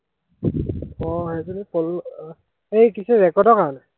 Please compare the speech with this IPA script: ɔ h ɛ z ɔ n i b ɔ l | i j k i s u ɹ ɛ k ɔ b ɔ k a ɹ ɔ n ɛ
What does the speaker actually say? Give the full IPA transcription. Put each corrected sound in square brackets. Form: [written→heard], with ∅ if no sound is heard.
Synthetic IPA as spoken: ɔ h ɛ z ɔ n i [b→p] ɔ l | [i→e] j k i s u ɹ ɛ k ɔ [b→d] ɔ k a ɹ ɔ n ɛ

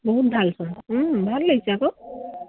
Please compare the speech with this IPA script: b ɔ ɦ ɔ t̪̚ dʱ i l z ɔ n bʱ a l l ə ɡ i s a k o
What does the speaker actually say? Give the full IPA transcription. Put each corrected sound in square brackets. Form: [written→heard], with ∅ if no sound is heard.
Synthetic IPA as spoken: b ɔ ɦ [ɔ→u] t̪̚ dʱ [i→a] l [z→s] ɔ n bʱ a l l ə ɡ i s a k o

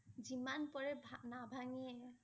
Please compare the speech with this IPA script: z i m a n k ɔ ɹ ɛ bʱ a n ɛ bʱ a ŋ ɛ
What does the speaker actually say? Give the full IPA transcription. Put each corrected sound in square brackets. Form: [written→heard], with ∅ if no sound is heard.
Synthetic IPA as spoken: z i m a n [k→p] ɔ ɹ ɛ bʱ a n [ɛ→a] bʱ a ŋ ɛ

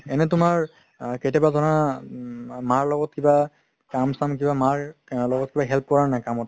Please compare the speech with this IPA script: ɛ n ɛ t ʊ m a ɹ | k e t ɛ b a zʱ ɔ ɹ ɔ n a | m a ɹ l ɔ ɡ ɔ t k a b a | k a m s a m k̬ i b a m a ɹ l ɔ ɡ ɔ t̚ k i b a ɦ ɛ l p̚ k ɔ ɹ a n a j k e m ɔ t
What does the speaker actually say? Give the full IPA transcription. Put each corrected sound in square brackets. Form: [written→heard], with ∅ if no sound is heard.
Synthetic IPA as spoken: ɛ n ɛ t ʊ m a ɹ | k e t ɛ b a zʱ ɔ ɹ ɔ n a | m a ɹ l ɔ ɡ ɔ t k [a→i] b a | k a m s a m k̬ i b a m a ɹ l ɔ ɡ ɔ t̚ k i b a ɦ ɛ l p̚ k ɔ ɹ a n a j k [e→a] m ɔ t

